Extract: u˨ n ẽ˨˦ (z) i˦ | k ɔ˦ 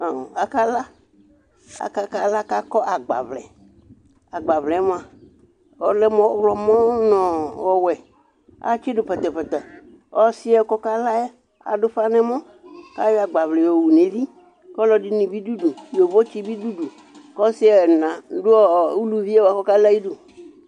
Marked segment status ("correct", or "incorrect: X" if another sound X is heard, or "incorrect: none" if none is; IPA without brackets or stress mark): incorrect: v